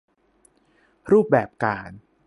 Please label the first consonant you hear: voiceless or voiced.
voiced